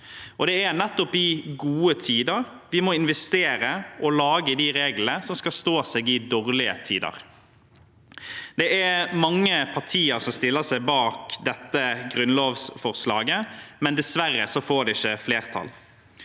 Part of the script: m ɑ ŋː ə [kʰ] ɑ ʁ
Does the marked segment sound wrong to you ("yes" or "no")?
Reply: yes